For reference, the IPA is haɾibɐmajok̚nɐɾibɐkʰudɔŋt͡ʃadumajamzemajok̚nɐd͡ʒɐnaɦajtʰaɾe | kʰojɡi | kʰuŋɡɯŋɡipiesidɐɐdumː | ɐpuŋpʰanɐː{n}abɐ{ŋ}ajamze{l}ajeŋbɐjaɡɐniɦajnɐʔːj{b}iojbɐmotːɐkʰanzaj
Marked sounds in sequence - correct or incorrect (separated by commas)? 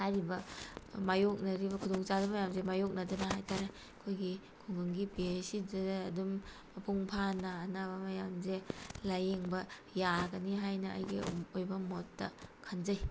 correct, incorrect, correct, incorrect